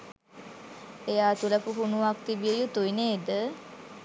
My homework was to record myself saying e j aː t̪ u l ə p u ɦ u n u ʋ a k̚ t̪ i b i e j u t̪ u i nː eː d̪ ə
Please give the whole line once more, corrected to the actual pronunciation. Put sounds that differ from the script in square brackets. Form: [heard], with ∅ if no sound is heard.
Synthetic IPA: e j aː t̪ u l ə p u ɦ u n u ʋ a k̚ t̪ i b i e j u t̪ u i [n] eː d̪ ə